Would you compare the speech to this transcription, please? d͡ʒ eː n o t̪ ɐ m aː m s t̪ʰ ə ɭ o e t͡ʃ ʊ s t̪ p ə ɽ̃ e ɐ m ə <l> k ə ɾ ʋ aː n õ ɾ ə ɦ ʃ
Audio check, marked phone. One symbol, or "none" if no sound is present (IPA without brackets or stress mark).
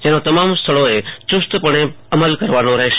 l